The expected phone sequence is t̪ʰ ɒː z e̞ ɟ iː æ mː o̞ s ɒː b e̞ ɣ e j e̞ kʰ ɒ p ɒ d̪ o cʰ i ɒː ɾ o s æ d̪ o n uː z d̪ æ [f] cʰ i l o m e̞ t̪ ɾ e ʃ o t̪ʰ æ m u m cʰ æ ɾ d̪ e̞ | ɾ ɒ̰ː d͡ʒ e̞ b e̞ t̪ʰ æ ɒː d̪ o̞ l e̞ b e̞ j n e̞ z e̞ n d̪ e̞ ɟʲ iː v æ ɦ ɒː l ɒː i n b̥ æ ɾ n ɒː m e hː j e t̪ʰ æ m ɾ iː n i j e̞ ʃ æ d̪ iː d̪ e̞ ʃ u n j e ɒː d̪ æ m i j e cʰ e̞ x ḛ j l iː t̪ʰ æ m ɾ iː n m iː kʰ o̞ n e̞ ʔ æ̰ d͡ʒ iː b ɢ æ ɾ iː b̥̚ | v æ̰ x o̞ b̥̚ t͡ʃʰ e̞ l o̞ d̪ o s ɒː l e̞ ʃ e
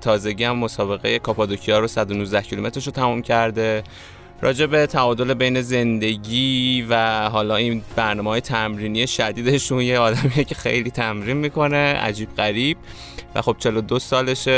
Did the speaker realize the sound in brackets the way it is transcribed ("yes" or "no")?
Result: no